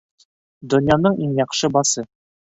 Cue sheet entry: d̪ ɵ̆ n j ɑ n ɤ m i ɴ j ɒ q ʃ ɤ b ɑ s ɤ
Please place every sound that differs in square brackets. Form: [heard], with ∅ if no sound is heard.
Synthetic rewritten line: d̪ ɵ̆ n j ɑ n ɤ [ɴ] i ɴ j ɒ q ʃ ɤ b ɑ s ɤ